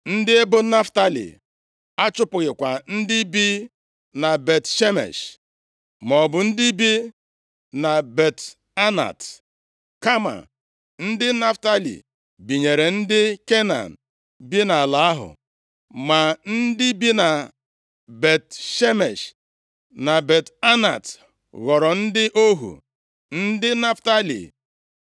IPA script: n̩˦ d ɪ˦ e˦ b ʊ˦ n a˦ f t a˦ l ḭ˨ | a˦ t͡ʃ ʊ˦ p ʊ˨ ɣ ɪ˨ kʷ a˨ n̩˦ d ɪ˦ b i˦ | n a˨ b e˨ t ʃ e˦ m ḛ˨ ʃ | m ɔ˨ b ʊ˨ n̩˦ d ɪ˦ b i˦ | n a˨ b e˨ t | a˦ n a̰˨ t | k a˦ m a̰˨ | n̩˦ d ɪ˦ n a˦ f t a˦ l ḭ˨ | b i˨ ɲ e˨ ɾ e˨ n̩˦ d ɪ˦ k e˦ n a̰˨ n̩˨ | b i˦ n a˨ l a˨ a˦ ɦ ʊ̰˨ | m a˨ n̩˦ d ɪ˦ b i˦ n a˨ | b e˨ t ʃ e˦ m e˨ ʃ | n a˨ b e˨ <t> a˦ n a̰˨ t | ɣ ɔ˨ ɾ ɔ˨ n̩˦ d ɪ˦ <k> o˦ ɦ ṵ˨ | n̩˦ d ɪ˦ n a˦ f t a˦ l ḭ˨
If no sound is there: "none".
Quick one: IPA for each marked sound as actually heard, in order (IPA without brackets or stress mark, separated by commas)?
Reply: t, ʔ